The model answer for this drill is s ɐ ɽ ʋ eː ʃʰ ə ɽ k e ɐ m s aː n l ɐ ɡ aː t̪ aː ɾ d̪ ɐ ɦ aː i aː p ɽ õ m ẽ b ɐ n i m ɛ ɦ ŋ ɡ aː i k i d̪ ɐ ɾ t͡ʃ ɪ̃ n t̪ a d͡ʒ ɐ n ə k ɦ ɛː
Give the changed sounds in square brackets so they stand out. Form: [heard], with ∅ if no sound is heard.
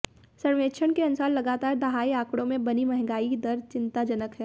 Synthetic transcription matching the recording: s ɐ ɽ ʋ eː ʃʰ ə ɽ k e ɐ [n] s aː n l ɐ ɡ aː t̪ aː ɾ d̪ ɐ ɦ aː i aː [k] ɽ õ m ẽ b ɐ n i m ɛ ɦ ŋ ɡ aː i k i d̪ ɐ ɾ t͡ʃ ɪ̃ n t̪ a d͡ʒ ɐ n ə k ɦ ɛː